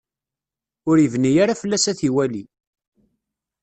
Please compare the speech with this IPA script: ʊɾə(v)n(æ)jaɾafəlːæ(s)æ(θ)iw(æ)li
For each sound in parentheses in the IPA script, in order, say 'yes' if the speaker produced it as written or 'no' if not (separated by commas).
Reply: yes, no, yes, yes, yes